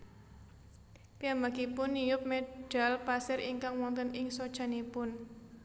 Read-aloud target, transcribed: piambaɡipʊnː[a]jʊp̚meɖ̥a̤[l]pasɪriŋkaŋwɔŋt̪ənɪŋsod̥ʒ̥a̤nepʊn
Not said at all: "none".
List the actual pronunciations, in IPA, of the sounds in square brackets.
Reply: i, l

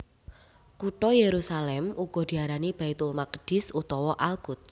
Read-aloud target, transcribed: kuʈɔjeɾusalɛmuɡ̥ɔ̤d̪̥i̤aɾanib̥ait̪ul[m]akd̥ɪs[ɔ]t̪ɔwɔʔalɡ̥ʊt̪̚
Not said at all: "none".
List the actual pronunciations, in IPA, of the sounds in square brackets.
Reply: m, u

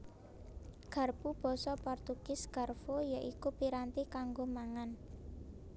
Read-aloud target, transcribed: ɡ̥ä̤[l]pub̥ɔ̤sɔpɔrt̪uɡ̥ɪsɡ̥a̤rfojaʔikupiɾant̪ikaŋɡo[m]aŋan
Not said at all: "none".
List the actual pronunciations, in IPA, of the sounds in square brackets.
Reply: r, m

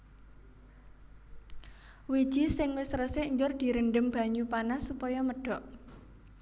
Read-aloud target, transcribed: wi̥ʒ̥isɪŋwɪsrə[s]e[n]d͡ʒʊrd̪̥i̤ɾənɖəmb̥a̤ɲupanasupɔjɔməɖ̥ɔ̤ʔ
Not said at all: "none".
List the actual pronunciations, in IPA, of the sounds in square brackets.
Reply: s, ɲ

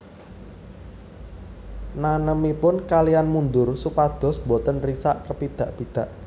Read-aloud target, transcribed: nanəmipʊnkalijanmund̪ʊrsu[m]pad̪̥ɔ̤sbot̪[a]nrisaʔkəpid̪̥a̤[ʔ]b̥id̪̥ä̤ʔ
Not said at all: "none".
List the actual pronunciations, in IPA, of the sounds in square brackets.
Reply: none, ə, ʔ

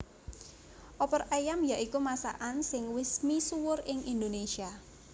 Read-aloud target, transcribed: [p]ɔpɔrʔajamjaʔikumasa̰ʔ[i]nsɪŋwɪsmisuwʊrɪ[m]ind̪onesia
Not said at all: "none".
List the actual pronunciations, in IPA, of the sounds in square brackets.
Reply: ʔ, a, ŋ

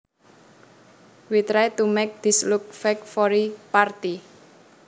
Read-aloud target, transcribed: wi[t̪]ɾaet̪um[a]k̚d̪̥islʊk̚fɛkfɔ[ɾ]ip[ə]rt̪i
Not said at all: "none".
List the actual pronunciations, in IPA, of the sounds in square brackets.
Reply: t̪, ɛ, ɾ, a

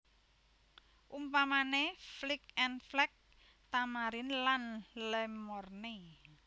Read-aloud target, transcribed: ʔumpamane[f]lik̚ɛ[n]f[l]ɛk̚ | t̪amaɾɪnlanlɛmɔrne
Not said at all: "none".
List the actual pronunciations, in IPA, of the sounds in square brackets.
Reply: f, n, l

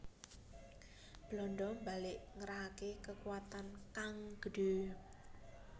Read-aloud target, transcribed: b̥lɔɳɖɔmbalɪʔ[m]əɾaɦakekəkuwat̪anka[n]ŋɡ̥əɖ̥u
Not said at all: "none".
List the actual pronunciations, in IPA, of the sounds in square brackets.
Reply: ŋ, none

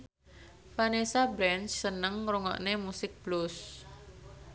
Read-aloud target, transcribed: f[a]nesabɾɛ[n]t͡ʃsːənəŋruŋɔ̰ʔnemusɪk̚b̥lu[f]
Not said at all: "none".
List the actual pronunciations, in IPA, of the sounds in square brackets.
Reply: a, n, s

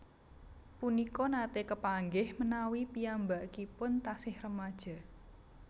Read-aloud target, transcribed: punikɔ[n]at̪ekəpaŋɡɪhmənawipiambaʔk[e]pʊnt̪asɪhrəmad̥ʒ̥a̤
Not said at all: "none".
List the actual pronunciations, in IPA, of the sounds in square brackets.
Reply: n, i

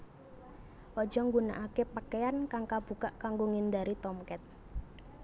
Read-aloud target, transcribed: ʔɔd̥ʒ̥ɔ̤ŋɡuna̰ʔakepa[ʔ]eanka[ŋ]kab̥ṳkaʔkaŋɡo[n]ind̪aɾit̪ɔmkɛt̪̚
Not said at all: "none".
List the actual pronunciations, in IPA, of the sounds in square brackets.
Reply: k, ŋ, ŋ

